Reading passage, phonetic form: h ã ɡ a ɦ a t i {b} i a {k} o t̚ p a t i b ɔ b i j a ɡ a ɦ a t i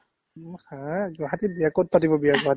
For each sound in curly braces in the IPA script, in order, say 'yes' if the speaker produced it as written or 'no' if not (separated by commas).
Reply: yes, yes